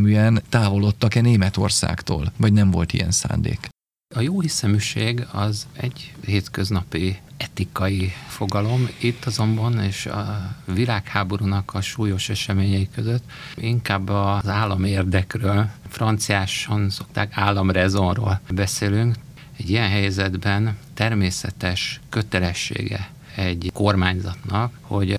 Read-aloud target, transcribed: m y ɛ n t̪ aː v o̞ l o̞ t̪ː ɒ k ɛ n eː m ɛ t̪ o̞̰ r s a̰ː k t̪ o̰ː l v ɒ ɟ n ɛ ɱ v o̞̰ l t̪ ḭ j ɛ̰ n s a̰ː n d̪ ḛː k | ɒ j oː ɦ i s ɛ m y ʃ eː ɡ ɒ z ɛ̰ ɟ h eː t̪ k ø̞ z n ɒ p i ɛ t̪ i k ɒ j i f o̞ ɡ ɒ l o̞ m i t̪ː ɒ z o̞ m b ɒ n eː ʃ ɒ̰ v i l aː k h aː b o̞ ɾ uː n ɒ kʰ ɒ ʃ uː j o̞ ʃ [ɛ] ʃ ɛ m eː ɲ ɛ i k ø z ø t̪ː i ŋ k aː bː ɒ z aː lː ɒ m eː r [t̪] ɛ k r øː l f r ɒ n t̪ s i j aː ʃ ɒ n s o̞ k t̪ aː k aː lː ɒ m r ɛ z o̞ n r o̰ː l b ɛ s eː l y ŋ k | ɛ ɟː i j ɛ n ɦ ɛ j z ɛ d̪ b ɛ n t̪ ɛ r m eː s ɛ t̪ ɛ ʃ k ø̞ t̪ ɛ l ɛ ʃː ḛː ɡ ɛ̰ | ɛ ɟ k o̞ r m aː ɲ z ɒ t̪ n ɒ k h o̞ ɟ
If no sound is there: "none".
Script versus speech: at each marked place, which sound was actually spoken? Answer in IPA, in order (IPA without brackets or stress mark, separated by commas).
ɛ, d̪